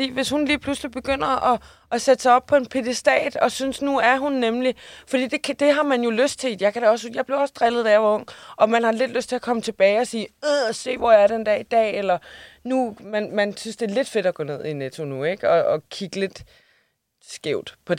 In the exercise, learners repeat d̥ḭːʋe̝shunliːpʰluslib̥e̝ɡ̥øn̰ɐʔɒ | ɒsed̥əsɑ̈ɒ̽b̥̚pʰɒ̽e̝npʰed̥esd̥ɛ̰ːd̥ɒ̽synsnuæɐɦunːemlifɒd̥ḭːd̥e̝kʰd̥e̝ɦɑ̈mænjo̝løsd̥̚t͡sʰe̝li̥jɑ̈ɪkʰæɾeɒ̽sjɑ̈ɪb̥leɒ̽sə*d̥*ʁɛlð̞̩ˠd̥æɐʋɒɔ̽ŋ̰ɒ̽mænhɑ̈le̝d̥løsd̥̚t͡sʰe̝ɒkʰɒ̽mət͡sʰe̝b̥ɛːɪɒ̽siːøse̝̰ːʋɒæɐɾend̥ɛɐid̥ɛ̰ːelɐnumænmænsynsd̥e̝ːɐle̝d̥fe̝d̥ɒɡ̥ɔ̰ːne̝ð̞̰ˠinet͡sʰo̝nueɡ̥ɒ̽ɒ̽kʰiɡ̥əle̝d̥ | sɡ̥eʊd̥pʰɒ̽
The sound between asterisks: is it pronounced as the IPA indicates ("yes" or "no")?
yes